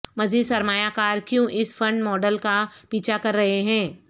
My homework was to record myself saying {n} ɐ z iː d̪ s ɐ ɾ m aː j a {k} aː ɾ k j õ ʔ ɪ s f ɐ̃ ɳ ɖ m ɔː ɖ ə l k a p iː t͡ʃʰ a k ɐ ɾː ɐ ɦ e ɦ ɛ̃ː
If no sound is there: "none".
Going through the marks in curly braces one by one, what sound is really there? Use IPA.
m, k

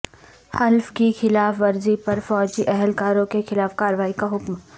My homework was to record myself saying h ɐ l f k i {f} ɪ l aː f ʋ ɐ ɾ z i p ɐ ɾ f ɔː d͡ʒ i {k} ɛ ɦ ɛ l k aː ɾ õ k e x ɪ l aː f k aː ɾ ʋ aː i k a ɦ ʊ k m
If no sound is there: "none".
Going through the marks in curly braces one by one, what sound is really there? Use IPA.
x, ʔ

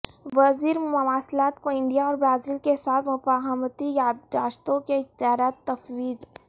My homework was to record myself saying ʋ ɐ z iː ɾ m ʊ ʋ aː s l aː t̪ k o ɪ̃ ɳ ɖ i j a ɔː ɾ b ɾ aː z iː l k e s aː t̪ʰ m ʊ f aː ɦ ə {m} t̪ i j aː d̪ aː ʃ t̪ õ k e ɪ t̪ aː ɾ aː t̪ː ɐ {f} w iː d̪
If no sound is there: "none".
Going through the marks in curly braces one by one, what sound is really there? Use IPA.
m, f

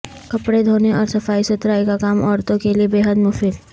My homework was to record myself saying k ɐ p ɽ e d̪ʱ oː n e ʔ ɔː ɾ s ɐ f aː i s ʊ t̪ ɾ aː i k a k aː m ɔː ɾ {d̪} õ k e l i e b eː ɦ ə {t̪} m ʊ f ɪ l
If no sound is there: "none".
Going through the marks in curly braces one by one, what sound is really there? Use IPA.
t̪, d̪

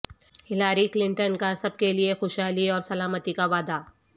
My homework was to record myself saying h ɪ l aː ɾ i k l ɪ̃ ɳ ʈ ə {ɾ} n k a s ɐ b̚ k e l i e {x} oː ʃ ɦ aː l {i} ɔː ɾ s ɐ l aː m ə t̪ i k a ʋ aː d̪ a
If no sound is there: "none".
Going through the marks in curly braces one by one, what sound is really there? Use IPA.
none, x, i

